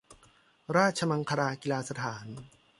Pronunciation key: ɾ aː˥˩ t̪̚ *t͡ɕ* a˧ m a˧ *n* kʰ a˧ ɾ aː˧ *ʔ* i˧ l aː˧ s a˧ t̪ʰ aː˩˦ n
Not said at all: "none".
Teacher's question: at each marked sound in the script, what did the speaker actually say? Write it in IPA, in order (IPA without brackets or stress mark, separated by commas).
t͡ɕʰ, ŋ, k